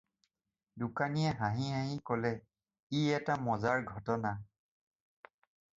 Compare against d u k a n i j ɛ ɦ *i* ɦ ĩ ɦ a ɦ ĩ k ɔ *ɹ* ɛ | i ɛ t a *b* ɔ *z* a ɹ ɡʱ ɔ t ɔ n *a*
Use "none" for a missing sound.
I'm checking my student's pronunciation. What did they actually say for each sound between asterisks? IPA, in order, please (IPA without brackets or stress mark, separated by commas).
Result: a, l, m, z, a